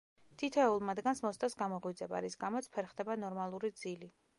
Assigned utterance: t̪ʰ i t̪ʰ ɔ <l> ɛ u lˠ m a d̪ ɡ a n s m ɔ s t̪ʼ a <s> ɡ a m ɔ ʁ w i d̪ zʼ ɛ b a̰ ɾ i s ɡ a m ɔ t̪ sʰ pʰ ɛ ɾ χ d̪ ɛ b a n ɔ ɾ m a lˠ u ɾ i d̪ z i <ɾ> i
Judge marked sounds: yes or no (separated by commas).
no, yes, no